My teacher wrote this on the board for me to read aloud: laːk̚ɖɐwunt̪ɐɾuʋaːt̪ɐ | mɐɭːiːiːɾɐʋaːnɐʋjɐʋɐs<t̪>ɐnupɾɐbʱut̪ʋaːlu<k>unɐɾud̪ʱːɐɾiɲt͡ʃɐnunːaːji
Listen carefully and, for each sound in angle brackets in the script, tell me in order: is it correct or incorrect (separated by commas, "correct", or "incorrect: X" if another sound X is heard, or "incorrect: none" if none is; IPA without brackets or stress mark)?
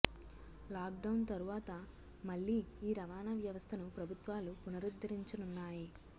incorrect: t̪ʰ, incorrect: p